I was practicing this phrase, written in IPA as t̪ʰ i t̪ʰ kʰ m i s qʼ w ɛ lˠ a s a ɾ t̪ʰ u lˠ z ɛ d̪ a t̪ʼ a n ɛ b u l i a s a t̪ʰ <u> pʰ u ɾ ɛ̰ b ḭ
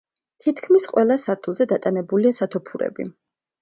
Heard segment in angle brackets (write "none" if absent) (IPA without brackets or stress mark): ɔ